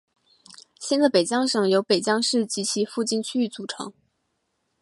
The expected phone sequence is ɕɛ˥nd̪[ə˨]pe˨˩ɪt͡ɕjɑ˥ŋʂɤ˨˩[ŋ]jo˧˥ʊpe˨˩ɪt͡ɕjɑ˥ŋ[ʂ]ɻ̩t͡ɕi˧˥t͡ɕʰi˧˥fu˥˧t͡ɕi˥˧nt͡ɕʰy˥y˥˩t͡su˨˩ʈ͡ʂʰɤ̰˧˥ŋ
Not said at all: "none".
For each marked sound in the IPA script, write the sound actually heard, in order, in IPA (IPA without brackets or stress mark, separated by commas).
ə˨, ŋ, ʂ